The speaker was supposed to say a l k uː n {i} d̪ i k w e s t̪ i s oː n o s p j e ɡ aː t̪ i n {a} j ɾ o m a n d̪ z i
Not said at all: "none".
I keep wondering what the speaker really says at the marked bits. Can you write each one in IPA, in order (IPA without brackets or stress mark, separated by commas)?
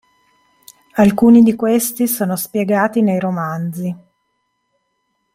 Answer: i, e